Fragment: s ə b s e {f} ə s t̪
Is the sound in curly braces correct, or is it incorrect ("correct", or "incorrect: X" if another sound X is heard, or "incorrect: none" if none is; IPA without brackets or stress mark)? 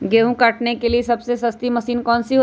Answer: incorrect: s